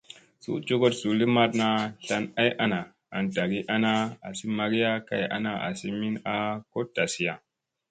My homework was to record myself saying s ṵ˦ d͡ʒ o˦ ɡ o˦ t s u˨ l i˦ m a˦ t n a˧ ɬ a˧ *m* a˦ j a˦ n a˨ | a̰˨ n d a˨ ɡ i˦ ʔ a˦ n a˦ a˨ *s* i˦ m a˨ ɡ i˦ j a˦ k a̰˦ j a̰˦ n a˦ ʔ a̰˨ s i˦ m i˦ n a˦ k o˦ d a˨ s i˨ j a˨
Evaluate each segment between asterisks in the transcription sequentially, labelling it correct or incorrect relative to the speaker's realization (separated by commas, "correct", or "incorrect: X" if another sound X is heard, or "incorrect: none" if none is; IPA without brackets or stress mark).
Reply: incorrect: n, correct